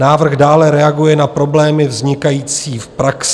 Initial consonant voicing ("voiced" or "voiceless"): voiced